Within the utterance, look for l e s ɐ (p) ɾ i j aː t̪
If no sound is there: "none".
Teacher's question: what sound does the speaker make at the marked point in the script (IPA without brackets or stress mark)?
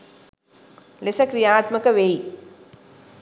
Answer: k